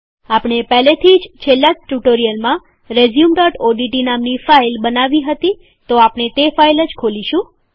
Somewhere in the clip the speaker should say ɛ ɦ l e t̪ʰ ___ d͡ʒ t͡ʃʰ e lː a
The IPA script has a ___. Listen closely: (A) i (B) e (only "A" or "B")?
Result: A